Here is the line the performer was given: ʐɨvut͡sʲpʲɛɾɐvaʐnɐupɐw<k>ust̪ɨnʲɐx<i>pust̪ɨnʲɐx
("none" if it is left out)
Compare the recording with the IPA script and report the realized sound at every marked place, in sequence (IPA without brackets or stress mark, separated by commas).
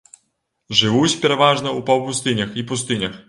p, i